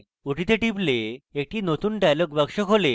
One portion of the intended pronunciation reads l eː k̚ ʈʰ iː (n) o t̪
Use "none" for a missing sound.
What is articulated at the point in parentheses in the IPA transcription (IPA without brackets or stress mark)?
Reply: n